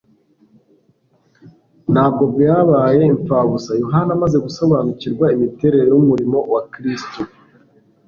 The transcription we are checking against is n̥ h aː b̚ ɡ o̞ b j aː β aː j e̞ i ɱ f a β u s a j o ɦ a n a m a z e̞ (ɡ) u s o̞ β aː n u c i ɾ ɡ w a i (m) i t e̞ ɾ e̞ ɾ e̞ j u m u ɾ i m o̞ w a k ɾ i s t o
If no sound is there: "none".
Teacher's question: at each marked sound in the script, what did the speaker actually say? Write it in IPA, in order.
ɡ, m

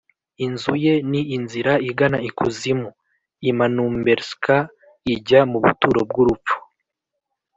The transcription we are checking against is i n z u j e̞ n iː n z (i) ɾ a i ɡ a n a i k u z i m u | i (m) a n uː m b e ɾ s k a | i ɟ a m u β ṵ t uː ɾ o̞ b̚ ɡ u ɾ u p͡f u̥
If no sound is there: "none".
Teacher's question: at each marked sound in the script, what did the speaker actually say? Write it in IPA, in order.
i, m

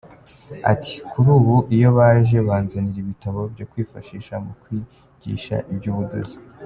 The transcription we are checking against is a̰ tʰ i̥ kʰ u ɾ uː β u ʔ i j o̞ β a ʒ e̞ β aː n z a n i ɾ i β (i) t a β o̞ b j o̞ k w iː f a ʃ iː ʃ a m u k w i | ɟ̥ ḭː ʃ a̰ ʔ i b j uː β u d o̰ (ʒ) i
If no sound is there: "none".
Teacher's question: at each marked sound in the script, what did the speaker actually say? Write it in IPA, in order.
i, z

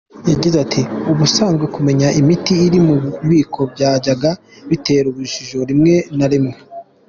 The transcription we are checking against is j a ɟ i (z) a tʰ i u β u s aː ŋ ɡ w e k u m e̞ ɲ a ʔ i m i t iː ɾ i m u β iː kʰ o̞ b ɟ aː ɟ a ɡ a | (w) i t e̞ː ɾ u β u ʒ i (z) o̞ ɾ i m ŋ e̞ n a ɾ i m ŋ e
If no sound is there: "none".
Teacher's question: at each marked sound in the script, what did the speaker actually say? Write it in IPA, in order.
z, β, ʒ

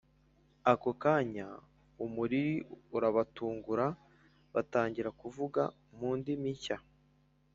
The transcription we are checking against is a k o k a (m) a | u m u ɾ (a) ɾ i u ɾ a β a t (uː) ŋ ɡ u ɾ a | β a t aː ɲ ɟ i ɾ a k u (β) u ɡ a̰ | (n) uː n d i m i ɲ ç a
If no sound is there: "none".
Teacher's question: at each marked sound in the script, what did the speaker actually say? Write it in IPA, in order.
ɲ, i, uː, v, m

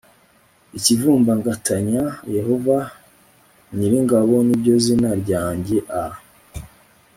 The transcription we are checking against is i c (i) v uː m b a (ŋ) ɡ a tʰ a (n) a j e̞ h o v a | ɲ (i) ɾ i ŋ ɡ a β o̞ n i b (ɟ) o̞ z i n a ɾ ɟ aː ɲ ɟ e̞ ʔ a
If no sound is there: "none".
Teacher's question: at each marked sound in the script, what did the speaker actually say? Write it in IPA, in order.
i, ŋ, ɲ, i, ɟ

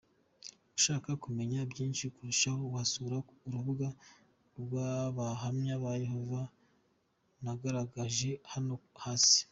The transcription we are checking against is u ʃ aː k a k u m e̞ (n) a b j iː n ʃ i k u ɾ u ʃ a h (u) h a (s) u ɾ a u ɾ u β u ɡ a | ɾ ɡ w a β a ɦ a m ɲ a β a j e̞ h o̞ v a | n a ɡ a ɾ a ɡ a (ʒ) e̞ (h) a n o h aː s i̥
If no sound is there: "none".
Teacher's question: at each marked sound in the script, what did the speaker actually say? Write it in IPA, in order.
ɲ, o, s, ʒ, h

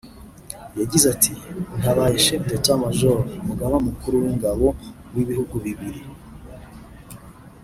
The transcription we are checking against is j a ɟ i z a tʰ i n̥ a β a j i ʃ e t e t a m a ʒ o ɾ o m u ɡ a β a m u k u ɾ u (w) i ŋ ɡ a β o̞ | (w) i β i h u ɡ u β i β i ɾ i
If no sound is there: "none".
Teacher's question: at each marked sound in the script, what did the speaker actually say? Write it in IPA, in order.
w, w

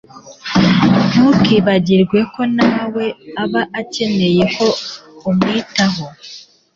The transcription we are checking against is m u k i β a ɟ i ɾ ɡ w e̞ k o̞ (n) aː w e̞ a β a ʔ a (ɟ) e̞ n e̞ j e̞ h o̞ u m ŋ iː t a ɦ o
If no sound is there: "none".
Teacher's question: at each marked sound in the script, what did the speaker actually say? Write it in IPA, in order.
n, c

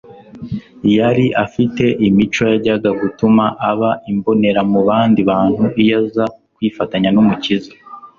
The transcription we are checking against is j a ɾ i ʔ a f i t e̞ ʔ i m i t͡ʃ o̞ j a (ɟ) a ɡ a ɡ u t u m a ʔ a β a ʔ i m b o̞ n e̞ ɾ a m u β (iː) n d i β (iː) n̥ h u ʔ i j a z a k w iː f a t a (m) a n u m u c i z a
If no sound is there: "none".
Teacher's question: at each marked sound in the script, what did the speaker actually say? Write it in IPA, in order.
ɟ, aː, aː, ɲ

